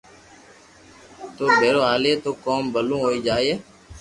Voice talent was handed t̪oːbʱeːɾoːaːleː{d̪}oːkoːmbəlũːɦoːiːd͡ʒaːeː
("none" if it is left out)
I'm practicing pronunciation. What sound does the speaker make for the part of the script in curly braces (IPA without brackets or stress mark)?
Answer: t̪